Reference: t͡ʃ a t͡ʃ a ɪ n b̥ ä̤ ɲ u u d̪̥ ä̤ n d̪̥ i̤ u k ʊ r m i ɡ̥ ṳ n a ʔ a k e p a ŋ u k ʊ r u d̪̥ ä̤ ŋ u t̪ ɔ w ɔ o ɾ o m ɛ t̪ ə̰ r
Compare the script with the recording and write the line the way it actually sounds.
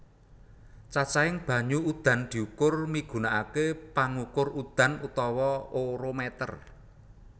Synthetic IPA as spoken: t͡ʃ a t͡ʃ a ɪ ŋ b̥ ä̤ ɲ u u d̪̥ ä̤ n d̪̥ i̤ u k ʊ r m i ɡ̥ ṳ n a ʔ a k e p a ŋ u k ʊ r u d̪̥ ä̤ n u t̪ ɔ w ɔ o ɾ o m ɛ t̪ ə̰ r